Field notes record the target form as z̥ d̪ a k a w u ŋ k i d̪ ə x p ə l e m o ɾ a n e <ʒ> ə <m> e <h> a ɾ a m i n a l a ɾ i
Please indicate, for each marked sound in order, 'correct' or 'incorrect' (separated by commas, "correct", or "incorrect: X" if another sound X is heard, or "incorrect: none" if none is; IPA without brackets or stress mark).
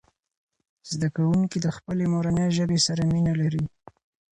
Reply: correct, incorrect: b, incorrect: s